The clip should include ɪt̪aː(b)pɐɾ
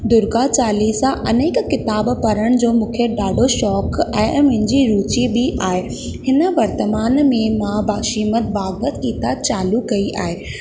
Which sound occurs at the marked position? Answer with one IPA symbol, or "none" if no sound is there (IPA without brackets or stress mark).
b